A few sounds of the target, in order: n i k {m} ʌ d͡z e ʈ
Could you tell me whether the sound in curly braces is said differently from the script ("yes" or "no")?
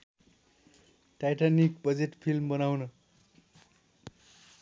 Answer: yes